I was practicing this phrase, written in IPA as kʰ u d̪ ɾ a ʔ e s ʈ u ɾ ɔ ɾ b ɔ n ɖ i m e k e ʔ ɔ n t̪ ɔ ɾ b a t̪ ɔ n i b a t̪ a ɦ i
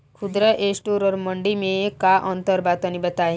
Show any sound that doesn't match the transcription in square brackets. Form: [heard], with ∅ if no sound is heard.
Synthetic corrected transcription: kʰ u d̪ ɾ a ʔ e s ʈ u ɾ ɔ ɾ [m] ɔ [ɳ] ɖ i m e k [a] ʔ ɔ n t̪ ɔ ɾ b a t̪ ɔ n i b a t̪ a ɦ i